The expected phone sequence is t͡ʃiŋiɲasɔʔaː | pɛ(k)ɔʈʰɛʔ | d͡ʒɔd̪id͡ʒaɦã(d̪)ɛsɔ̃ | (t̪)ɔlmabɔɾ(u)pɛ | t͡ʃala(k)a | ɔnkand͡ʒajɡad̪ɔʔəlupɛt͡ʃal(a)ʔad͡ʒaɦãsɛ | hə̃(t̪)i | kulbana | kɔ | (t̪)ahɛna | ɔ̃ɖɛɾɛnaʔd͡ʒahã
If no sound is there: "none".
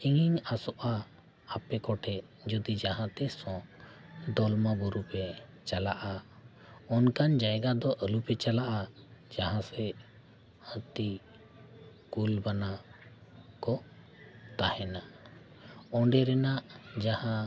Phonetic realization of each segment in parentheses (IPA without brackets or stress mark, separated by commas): k, t̪, d̪, u, ʔ, a, t̪, t̪